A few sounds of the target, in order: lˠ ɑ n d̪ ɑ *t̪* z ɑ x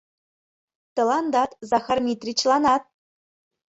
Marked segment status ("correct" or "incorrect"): correct